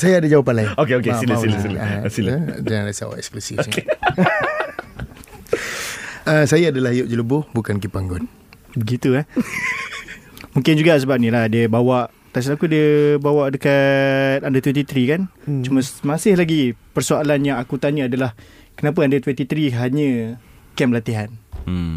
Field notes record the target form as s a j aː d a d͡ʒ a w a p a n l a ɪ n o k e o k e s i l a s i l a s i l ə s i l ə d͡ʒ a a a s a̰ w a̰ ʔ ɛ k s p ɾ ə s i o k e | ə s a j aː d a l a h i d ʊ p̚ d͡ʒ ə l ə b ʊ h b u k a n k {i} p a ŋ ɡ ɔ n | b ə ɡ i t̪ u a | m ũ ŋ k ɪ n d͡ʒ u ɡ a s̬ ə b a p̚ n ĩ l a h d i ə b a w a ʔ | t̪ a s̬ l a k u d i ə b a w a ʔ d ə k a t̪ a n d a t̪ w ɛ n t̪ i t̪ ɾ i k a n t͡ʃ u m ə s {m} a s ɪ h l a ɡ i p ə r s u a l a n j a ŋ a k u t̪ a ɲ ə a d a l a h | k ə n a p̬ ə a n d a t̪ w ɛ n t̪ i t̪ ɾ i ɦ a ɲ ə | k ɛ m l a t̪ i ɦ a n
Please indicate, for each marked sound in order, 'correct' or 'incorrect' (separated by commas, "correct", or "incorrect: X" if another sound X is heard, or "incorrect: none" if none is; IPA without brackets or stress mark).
correct, correct